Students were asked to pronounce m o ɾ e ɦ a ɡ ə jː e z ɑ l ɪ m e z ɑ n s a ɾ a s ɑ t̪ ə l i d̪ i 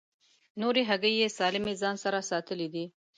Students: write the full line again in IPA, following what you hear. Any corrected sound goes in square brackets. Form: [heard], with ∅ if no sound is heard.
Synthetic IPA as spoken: [n] o ɾ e ɦ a ɡ ə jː e [s] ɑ l ɪ m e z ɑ n s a ɾ a s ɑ t̪ ə l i d̪ i